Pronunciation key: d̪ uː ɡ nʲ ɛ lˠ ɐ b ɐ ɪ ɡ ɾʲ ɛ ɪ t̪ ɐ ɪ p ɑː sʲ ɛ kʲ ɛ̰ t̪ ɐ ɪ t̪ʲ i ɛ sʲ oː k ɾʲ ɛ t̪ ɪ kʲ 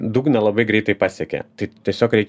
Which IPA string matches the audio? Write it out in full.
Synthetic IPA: d̪ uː ɡ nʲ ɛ lˠ ɐ b ɐ ɪ ɡ ɾʲ ɛ ɪ t̪ ɐ ɪ p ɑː sʲ ɛ kʲ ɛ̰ t̪ ɐ ɪ t̪ʲ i ɛ sʲ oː k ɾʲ ɛ ɪ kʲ